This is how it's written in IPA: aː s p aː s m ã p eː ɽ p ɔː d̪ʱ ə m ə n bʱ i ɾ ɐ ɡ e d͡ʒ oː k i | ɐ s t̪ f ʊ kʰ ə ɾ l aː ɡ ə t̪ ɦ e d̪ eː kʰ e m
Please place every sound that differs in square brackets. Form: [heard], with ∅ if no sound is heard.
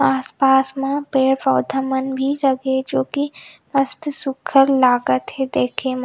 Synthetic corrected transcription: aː s p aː s m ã p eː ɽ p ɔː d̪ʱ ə m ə n bʱ i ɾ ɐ ɡ e d͡ʒ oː k i | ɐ s t̪ [s] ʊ kʰ ə ɾ l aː ɡ ə t̪ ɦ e d̪ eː kʰ e m